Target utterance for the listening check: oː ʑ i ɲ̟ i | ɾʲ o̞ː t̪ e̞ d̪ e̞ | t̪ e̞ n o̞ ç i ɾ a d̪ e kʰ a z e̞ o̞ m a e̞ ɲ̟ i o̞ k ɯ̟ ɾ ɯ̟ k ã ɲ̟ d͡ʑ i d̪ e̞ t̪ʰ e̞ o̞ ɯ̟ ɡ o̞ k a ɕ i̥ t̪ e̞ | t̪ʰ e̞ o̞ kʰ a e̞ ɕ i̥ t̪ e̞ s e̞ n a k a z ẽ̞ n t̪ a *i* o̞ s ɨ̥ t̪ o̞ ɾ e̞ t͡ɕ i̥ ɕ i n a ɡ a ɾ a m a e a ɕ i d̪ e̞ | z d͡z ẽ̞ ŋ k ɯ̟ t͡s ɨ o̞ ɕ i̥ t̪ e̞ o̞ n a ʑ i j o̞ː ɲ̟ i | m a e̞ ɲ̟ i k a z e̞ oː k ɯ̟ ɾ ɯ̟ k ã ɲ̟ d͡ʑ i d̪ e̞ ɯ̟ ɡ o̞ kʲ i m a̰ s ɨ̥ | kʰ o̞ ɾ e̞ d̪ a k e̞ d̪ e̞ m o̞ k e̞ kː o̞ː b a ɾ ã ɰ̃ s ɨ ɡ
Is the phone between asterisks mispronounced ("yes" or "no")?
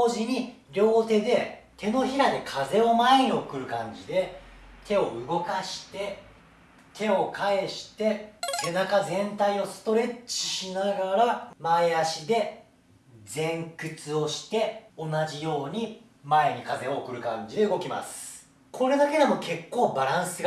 no